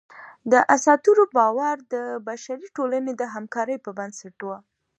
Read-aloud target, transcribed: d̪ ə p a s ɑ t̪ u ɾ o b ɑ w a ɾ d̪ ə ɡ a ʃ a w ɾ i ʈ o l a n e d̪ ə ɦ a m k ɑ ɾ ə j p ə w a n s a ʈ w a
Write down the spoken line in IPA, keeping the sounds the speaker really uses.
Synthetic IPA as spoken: d̪ ə ʔ a s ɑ t̪ u ɾ o b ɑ w a ɾ d̪ ə b a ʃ a ɾ i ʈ o l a n e d̪ ə ɦ a m k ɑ ɾ ə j p ə b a n s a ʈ w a